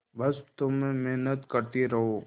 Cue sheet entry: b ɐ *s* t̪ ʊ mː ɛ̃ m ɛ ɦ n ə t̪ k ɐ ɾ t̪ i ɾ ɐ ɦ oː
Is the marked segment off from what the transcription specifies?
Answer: no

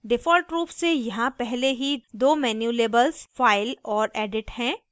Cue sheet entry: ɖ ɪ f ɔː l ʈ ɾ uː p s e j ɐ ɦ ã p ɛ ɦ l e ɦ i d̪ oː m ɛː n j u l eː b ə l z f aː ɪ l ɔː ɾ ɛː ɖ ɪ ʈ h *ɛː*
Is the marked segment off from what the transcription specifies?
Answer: yes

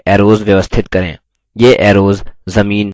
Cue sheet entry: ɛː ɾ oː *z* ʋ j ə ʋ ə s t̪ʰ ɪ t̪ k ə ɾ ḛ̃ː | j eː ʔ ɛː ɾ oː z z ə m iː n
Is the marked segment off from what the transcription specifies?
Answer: no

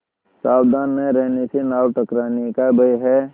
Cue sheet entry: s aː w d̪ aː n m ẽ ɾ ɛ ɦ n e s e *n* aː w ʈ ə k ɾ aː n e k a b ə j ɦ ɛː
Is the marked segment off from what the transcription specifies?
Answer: no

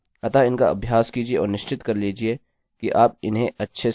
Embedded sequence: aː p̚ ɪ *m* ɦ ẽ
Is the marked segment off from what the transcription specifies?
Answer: yes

